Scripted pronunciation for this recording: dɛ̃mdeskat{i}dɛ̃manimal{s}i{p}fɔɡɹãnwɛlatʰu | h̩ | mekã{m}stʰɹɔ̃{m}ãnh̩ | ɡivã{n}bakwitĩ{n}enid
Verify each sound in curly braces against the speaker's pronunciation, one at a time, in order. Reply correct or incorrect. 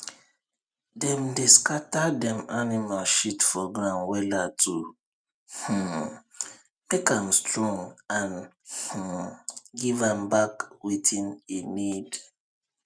incorrect, incorrect, incorrect, correct, incorrect, incorrect, correct

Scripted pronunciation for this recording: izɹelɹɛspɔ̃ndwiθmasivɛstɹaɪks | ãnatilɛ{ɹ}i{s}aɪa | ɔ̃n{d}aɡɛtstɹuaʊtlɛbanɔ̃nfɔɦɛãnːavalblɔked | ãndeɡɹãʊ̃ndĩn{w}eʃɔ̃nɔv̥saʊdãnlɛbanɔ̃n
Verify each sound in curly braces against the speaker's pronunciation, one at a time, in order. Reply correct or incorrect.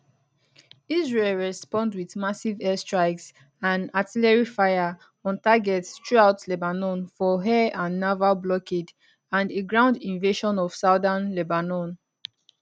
correct, incorrect, incorrect, incorrect

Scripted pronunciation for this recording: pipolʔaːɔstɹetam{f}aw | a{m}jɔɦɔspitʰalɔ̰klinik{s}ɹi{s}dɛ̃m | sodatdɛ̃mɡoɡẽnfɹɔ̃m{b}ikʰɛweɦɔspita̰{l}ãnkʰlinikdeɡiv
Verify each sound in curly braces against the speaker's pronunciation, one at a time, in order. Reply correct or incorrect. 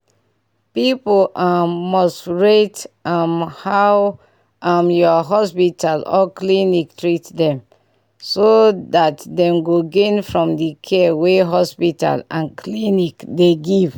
incorrect, correct, incorrect, incorrect, incorrect, correct

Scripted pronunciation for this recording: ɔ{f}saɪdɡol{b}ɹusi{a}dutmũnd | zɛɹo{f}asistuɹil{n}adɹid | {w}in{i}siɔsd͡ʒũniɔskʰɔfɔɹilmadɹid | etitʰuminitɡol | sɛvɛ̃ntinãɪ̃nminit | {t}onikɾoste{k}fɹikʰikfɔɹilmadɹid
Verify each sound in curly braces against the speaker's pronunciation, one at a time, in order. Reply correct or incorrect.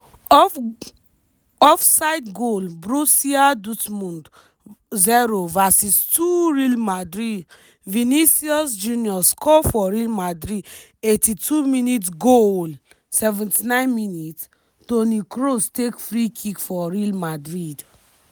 correct, correct, correct, incorrect, incorrect, incorrect, correct, correct, correct

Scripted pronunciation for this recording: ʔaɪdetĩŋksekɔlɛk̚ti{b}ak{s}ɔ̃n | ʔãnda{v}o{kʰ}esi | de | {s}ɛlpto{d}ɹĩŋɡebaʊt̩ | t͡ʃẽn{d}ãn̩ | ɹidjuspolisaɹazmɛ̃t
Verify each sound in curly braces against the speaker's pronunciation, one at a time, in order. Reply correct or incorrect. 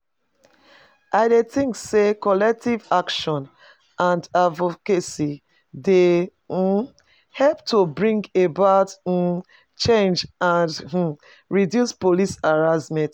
incorrect, incorrect, correct, incorrect, incorrect, incorrect, incorrect

